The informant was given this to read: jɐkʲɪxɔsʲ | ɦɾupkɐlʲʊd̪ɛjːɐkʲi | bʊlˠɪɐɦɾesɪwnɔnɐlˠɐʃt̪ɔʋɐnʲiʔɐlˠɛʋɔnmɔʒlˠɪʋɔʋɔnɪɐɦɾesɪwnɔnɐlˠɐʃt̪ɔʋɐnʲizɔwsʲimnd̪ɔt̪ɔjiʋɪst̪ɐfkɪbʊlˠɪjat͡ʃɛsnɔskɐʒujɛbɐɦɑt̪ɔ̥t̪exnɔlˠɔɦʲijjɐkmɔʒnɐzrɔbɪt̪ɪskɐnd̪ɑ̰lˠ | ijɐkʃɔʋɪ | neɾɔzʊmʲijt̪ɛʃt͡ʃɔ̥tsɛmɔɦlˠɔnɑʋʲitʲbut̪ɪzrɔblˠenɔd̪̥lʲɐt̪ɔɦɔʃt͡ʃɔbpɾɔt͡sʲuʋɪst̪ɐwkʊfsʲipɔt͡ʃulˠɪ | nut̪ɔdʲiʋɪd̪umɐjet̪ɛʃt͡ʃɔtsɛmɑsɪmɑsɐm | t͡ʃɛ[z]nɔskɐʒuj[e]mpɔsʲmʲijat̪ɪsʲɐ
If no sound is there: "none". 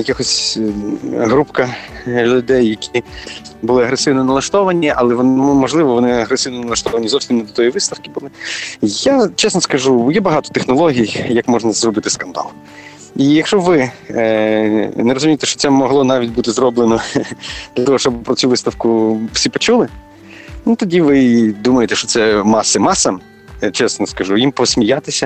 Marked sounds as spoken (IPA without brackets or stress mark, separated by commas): s, i